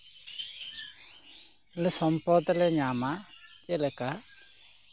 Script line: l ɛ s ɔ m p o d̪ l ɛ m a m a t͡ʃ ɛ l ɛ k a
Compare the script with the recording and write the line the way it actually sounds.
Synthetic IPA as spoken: l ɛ s ɔ m p ɔ d̪ l ɛ ɲ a m a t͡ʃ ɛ l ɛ k a